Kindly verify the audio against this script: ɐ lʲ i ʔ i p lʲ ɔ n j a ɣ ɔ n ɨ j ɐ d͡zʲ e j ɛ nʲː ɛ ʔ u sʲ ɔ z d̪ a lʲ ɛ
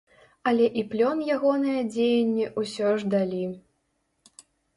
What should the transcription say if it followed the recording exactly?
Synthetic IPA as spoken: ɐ lʲ ɛ ʔ i p lʲ ɔ n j a ɣ ɔ n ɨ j ɐ d͡zʲ e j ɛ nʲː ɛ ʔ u sʲ ɔ ʐ d̪ a lʲ i